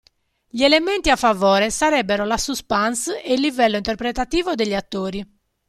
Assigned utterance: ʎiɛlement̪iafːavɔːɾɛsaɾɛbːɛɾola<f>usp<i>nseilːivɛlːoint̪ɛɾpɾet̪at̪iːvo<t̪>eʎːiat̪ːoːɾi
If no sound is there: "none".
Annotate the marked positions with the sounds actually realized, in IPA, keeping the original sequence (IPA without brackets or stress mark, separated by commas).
s, a, d̪